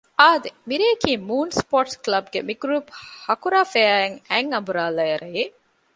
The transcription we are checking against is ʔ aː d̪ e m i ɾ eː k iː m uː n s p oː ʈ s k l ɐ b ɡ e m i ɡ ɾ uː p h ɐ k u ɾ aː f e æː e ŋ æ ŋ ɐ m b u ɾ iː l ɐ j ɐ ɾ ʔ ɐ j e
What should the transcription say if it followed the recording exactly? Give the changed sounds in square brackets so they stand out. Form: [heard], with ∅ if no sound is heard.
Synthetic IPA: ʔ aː d̪ e m i ɾ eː k iː m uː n s p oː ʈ s k l ɐ b ɡ e m i ɡ ɾ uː p h ɐ k u ɾ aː f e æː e ŋ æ ŋ ɐ m b u ɾ [aː] l ɐ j ɐ ɾ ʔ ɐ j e